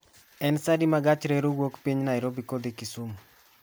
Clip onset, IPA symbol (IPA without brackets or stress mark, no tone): ɛ